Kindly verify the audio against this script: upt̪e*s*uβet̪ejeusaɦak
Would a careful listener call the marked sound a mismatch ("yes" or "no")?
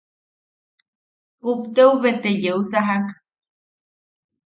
yes